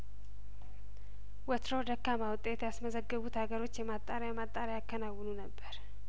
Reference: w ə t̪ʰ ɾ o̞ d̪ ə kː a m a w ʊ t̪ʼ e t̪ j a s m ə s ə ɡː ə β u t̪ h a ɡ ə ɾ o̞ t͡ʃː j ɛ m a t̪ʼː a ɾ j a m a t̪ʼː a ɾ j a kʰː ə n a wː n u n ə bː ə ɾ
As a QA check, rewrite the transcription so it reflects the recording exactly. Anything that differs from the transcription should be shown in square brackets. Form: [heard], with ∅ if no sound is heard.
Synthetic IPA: w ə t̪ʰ ɾ o̞ d̪ ə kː a m a w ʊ t̪ʼ e t̪ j a s m ə [z] ə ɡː ə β u t̪ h a ɡ ə ɾ o̞ t͡ʃː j ɛ m a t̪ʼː a ɾ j a m a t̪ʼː a ɾ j a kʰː ə n a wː n u n ə bː ə ɾ